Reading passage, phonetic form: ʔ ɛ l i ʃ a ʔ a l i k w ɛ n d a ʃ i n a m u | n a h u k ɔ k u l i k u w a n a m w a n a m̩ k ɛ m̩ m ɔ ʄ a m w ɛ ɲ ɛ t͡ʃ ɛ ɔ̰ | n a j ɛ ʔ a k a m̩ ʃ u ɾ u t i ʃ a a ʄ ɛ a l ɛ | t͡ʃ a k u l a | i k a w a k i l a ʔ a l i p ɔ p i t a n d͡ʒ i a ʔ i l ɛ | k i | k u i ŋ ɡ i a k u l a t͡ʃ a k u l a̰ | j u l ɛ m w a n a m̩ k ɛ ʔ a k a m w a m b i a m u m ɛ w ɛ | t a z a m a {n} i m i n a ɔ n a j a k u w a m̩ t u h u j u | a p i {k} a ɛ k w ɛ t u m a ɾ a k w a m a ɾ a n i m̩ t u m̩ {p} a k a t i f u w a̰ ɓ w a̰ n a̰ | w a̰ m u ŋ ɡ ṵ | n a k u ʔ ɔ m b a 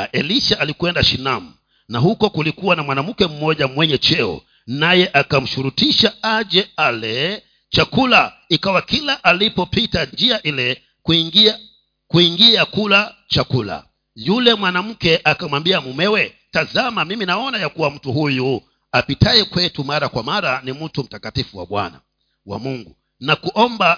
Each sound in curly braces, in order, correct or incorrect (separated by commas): incorrect, incorrect, incorrect